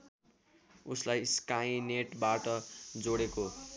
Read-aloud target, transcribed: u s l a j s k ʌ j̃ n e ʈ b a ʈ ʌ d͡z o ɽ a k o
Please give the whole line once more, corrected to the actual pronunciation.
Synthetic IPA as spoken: u s l a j s k a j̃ n e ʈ b a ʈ ʌ d͡z o ɽ e k o